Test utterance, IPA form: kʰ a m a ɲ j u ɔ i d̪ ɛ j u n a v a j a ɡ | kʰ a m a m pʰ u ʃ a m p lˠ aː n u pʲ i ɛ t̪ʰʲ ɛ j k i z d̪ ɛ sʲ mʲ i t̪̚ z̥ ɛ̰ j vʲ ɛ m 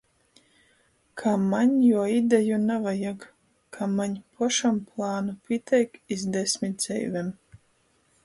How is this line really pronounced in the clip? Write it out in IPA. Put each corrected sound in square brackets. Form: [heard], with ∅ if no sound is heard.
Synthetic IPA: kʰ a m a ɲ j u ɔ i d̪ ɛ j u n a v a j a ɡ | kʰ a m a [ɲ] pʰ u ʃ a m p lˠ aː n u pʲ i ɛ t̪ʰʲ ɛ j k i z d̪ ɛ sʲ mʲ i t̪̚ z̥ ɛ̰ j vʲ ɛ m